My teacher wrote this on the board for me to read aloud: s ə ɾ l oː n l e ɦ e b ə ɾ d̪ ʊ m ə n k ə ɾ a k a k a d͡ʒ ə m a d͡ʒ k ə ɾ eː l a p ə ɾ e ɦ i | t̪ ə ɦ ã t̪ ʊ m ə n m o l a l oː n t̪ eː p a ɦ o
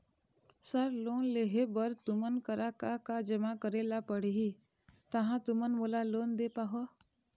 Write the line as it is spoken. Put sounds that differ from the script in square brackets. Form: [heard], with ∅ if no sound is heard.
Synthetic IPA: s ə ɾ l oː n l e ɦ e b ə ɾ [t̪] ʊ m ə n k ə ɾ a k a k a d͡ʒ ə m a [∅] k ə ɾ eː l a p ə [ɽ] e ɦ i | t̪ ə ɦ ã t̪ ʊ m ə n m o l a l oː n [d̪] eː p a ɦ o